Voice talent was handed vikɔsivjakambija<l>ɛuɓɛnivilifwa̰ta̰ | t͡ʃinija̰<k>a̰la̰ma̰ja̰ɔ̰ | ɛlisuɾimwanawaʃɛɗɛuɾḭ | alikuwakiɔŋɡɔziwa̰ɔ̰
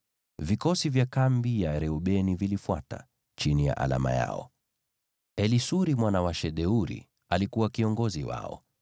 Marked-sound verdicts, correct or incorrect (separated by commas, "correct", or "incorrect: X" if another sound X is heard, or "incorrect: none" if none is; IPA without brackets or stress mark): incorrect: ɾ, incorrect: ʔ